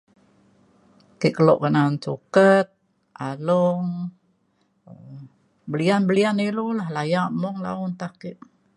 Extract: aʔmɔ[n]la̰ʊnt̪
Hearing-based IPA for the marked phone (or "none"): ŋ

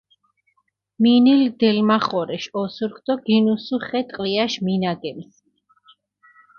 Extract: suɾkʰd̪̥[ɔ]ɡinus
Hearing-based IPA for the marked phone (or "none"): ɔ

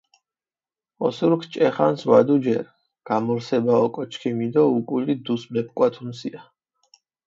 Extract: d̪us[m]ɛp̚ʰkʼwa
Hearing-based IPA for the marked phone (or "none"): m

